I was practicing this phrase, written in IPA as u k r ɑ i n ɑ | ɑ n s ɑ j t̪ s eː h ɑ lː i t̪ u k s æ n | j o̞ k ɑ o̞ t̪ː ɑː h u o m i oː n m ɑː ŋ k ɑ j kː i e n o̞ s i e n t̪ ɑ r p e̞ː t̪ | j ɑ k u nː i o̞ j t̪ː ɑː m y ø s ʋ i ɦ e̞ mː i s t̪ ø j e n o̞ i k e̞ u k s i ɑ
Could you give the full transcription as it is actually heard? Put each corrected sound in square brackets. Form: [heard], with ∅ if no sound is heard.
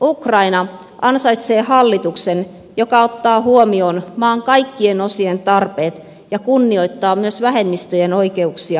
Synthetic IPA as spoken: u k r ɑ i n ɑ | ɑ n s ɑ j t̪ s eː h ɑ lː i t̪ u k s [e] n | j o̞ k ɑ o̞ t̪ː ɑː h u o m i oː n m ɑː ŋ k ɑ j kː i e n o̞ s i e n t̪ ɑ r p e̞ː t̪ | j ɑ k u nː i o̞ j t̪ː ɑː m y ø s ʋ [æ] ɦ e̞ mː i s t̪ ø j e n o̞ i k e̞ u k s i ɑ